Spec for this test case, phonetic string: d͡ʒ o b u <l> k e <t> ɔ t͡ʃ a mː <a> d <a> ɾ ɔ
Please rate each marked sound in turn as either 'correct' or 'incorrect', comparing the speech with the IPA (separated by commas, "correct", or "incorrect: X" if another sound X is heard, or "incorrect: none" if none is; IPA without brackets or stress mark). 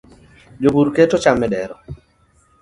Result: incorrect: ɾ, correct, incorrect: ɛ, incorrect: ɛ